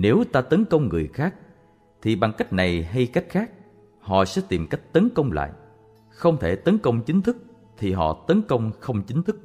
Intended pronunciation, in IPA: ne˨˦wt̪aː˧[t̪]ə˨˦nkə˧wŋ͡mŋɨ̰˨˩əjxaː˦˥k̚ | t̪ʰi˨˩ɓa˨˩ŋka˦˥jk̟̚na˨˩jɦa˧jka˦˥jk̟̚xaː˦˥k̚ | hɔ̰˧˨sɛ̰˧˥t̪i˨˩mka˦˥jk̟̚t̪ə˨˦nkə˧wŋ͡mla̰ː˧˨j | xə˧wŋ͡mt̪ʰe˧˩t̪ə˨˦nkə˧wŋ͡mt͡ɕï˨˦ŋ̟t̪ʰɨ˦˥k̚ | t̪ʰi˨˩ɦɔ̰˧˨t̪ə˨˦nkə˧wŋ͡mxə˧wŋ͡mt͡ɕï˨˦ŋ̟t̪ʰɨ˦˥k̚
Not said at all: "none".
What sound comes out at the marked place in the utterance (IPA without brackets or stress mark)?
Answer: t̪